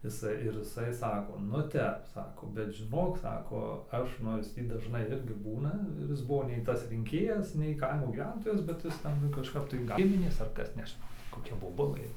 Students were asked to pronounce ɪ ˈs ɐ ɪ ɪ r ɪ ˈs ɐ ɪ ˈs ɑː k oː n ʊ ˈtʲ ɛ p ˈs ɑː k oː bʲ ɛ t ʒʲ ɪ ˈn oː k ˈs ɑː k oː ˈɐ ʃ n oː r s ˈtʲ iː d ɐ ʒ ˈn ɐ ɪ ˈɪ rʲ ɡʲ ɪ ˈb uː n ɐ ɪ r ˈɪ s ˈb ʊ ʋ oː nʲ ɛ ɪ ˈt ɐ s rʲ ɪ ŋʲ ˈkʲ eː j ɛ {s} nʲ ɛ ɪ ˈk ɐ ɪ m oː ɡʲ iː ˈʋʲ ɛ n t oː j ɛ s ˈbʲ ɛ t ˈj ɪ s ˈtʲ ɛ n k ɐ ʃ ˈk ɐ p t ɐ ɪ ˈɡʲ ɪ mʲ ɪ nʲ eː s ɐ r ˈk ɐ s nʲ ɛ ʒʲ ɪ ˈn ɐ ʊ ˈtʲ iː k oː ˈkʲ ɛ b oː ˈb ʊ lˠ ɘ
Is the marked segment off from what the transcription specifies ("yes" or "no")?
no